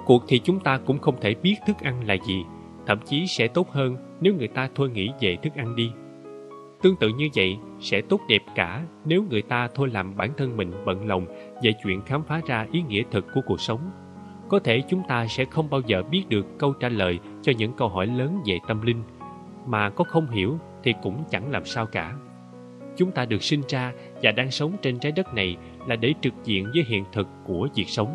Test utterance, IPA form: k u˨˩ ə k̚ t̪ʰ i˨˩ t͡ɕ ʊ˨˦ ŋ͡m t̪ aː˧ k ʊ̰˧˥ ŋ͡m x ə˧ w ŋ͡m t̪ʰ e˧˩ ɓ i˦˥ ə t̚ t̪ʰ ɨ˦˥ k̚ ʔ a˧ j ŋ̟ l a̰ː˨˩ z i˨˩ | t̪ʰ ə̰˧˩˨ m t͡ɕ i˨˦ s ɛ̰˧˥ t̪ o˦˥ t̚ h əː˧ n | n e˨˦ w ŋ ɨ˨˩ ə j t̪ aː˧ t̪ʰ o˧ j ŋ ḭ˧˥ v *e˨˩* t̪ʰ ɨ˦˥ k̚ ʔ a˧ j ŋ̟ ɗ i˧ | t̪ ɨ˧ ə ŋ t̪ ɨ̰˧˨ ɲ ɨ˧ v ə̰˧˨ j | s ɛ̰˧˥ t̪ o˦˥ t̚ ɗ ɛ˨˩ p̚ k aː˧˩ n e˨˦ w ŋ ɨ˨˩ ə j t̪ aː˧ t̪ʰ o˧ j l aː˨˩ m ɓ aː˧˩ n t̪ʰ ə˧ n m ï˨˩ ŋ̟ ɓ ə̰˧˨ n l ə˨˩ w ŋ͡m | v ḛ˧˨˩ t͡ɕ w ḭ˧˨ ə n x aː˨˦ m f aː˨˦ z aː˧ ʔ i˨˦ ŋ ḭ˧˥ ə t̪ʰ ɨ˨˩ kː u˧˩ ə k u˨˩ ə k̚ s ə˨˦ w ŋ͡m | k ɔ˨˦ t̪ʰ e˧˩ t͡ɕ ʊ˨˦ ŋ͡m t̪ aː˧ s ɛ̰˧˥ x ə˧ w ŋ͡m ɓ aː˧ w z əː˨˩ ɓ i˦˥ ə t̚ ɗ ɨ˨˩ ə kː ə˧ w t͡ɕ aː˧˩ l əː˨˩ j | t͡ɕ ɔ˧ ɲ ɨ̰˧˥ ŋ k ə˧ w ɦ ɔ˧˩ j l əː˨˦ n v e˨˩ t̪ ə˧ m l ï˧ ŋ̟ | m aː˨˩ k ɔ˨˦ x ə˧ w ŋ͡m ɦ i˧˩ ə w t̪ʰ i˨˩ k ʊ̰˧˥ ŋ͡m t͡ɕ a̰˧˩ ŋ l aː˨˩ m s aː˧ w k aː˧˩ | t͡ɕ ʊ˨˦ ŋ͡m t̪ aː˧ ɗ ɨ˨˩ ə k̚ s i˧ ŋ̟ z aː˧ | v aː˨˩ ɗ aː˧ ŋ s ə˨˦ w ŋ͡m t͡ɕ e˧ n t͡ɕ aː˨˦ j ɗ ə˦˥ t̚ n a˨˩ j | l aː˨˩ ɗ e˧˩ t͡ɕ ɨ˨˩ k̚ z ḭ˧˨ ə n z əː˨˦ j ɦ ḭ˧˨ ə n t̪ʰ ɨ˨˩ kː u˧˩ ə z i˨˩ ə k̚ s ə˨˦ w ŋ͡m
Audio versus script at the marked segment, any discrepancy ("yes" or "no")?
no